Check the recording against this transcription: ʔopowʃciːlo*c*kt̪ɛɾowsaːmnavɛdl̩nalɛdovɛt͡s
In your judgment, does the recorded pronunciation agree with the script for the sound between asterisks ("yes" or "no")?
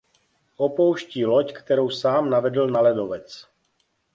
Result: yes